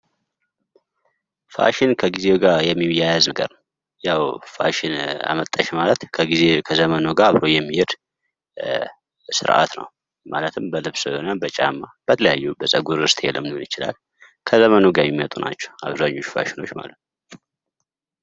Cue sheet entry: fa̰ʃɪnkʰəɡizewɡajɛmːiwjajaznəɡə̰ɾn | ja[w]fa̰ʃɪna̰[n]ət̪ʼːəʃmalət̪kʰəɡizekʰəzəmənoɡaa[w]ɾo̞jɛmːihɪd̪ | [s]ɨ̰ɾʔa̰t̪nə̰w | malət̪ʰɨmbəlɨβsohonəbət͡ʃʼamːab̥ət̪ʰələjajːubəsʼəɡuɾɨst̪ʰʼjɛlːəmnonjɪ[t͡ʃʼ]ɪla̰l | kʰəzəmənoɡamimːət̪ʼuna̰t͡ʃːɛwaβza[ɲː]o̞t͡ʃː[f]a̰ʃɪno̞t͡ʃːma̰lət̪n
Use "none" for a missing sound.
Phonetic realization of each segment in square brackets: w, m, β, s, t͡ʃ, ɲː, f

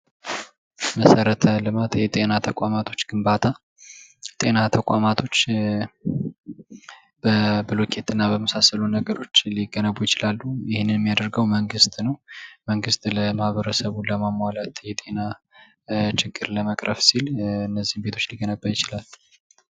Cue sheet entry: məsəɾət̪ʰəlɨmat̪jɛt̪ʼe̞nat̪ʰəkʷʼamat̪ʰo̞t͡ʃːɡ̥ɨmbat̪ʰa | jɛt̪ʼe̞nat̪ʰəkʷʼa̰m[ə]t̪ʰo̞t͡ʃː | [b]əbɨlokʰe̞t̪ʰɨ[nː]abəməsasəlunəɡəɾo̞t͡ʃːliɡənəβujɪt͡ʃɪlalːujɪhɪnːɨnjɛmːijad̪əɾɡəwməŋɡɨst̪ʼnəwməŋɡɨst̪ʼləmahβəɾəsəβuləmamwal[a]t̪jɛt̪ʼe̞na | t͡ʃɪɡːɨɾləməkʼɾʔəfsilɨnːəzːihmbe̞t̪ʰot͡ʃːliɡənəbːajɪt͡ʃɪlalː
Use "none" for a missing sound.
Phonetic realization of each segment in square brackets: a, b, nː, a

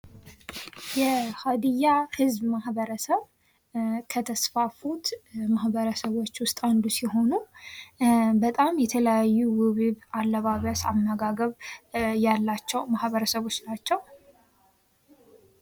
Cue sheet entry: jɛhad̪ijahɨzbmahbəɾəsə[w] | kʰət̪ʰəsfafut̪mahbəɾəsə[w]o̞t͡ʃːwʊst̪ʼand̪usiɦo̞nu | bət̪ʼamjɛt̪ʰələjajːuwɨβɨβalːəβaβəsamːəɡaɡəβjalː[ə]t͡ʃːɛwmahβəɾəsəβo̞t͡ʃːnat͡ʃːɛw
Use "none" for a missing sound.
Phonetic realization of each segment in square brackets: β, β, a

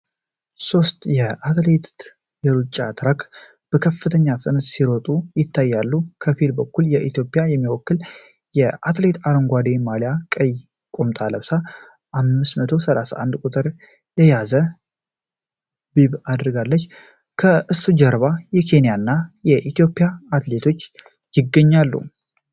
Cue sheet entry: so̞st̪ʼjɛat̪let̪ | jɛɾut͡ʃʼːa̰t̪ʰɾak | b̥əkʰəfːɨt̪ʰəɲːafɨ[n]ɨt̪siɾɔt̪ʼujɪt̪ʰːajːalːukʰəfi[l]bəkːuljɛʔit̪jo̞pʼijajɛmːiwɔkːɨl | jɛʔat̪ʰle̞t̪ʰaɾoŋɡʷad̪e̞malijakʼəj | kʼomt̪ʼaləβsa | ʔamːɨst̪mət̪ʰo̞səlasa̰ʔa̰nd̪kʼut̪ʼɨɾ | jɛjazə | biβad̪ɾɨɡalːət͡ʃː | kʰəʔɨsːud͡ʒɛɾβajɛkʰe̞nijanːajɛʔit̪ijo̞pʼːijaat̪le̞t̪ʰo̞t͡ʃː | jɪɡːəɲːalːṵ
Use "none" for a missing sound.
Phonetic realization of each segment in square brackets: n, l

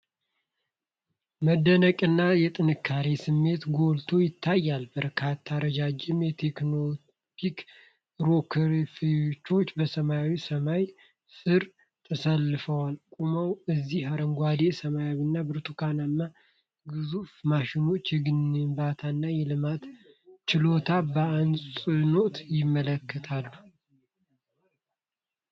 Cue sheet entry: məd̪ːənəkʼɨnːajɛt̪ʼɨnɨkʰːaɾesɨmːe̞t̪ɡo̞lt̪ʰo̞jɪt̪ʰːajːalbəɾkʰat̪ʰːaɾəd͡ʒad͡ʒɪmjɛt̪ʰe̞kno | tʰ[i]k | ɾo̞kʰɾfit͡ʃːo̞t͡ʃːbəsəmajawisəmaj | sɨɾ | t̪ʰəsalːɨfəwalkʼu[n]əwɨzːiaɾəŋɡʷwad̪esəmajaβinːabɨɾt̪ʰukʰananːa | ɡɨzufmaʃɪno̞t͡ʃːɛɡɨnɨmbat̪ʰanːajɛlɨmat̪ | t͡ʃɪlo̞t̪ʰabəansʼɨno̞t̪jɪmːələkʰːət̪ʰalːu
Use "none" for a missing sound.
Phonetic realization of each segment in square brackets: i, m

